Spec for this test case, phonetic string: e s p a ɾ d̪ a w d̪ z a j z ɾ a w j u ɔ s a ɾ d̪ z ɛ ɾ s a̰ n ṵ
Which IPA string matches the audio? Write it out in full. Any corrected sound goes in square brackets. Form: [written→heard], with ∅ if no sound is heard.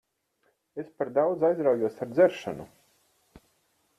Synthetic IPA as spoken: e s p a ɾ d̪ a w d̪ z a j z ɾ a w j u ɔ s a ɾ d̪ z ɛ ɾ [s→ʃ] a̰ n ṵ